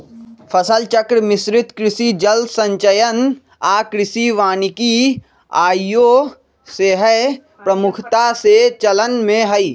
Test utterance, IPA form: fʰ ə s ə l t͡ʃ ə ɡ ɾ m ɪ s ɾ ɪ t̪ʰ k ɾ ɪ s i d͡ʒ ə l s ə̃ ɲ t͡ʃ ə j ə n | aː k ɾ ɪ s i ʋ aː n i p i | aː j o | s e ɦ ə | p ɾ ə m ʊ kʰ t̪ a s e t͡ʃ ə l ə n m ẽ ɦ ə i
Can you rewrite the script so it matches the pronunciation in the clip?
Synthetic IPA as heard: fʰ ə s ə l t͡ʃ ə k ɾ m ɪ s ɾ ɪ t̪ k ɾ ɪ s i d͡ʒ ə l s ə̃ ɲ t͡ʃ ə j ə n | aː k ɾ ɪ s i ʋ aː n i k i | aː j o | s e ɦ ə | p ɾ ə m ʊ kʰ t̪ a s e t͡ʃ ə l ə n m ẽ ɦ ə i